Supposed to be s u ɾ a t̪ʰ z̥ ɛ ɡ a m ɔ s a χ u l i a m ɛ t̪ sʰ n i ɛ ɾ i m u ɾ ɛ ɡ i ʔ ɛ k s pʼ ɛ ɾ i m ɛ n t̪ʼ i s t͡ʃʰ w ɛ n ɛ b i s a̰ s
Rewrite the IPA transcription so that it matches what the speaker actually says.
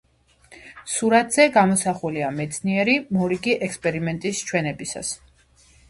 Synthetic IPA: s u ɾ a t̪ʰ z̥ ɛ ɡ a m ɔ s a χ u l i a m ɛ t̪ sʰ n i ɛ ɾ i m ɔ ɾ i ɡ i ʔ ɛ k s pʼ ɛ ɾ i m ɛ n t̪ʼ i s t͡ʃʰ w ɛ n ɛ b i s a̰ s

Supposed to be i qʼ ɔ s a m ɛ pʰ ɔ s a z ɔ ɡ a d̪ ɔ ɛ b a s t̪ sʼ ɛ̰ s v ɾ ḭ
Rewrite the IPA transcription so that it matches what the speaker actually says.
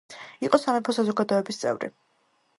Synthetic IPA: i qʼ ɔ s a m ɛ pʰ ɔ s a z ɔ ɡ a d̪ ɔ ɛ b i s t̪ sʼ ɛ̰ v ɾ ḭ

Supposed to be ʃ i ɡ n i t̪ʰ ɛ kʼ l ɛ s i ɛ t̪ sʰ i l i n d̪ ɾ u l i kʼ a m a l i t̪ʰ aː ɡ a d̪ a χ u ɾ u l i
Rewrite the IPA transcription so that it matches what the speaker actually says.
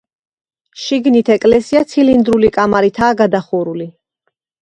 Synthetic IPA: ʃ i ɡ n i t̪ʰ ɛ kʼ l ɛ s i a t̪ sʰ i l i n d̪ ɾ u l i kʼ a m a ɾ i t̪ʰ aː ɡ a d̪ a χ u ɾ u l i

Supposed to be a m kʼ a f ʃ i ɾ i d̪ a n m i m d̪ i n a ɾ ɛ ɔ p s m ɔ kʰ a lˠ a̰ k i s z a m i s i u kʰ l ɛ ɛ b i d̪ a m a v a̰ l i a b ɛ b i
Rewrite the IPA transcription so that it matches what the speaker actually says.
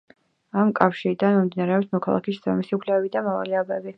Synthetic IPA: a m kʼ a f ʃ i ɾ i d̪ a n m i m d̪ i n a ɾ ɛ ɔ p s m ɔ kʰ a lˠ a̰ k i s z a m i s i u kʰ l ɛ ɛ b i d̪ a m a v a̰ l i a b ɛ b i

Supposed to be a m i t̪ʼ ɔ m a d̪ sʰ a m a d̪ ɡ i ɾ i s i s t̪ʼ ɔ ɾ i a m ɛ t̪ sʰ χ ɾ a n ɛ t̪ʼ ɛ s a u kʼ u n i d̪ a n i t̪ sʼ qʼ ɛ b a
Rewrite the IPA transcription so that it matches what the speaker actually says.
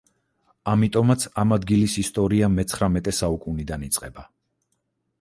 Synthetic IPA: a m i t̪ʼ ɔ m a t̪ sʰ a m a d̪ ɡ i l i s i s t̪ʼ ɔ ɾ i a m ɛ t̪ sʰ χ ɾ a m ɛ t̪ʼ ɛ s a u kʼ u n i d̪ a n i t̪ sʼ qʼ ɛ b a

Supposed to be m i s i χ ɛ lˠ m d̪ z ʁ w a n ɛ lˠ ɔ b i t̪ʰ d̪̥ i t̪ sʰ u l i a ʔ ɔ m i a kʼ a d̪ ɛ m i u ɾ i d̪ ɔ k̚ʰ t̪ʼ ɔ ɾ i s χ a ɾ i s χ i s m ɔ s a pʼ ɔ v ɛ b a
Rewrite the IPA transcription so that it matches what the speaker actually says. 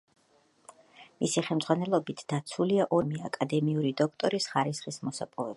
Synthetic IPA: m i s i χ ɛ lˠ m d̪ z ʁ w a n ɛ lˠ ɔ b i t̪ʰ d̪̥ a t̪ sʰ u l i a ʔ ɔ m i a kʼ a d̪ ɛ m i u ɾ i d̪ ɔ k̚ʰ t̪ʼ ɔ ɾ i s χ a ɾ i s χ i s m ɔ s a pʼ ɔ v ɛ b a

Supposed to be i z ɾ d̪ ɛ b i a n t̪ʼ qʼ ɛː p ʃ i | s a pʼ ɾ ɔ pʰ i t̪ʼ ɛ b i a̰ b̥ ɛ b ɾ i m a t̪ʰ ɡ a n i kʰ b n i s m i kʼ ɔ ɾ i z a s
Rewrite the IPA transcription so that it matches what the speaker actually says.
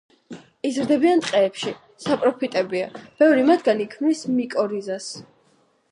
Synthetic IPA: i z ɾ d̪ ɛ b i a n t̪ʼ qʼ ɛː p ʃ i | s a pʼ ɾ ɔ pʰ i t̪ʼ ɛ b i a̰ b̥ ɛ v ɾ i m a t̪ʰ ɡ a n i kʰ m n i s m i kʼ ɔ ɾ i z a s

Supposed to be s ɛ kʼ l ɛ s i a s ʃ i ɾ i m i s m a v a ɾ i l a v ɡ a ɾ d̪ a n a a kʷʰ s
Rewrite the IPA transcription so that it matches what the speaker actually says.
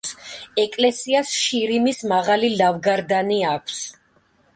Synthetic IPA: s ɛ kʼ l ɛ s i a s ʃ i ɾ i m i s m a ʁ a l i l a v ɡ a ɾ d̪ a n i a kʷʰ s

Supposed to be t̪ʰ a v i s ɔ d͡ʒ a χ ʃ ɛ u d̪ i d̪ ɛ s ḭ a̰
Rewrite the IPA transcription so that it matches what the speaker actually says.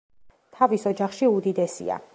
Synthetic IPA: t̪ʰ a v i s ɔ d͡ʒ a χ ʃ i u d̪ i d̪ ɛ s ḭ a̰

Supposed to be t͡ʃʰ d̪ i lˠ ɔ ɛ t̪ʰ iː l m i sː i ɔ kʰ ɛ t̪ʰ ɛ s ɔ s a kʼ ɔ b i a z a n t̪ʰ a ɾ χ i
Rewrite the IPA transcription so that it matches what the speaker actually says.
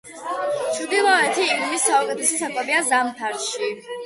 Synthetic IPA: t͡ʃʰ d̪ i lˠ ɔ ɛ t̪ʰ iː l m i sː a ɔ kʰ ɛ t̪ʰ ɛ s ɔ s a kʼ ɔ b i a z a m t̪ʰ a ɾ ʃ i

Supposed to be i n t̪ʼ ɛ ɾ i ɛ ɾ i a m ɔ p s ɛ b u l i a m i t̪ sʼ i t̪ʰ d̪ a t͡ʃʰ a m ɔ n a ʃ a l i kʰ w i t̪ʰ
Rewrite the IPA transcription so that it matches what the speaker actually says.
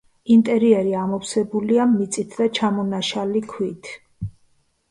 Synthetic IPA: i n t̪ʼ ɛ ɾ i ɛ ɾ i a m ɔ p s ɛ b u l i a m i t̪ sʼ i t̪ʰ d̪ a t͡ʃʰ a m ɔ n a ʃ a l i kʰ w i t̪ʰ

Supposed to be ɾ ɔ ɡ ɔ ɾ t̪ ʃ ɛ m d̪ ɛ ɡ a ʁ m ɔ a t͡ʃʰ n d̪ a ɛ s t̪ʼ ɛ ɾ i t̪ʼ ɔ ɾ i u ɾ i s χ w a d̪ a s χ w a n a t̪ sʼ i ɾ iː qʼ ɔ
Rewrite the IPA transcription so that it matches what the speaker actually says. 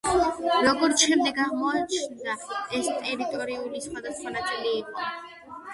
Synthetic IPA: ɾ ɔ ɡ ɔ ɾ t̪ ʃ ɛ m d̪ ɛ ɡ a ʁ m ɔ a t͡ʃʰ n d̪ a ɛ s t̪ʼ ɛ ɾ i t̪ʼ ɔ ɾ i u l i s χ w a d̪ a s χ w a n a t̪ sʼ i l iː qʼ ɔ

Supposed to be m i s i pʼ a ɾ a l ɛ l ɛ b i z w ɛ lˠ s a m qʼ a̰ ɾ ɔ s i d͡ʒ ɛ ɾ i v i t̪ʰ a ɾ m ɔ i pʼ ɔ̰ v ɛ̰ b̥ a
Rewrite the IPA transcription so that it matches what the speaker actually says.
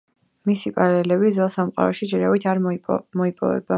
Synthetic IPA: m i s i pʼ a ɾ a l ɛ l ɛ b i z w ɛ lˠ s a m qʼ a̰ ɾ ɔ ʃ i d͡ʒ ɛ ɾ a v i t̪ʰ a ɾ m ɔ i pʼ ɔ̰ v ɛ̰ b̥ a

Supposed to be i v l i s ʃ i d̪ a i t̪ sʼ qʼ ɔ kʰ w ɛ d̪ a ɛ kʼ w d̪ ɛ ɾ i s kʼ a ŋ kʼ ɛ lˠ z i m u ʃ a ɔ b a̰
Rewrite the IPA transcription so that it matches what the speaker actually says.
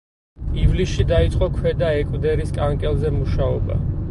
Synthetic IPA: i v l i s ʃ i d̪ a i t̪ sʼ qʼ ɔ kʰ w ɛ d̪ a ɛ kʼ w d̪ ɛ ɾ i s kʼ a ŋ kʼ ɛ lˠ z ɛ m u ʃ a ɔ b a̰

